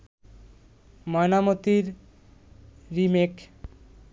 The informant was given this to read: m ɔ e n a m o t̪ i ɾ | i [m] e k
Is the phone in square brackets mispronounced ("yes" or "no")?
no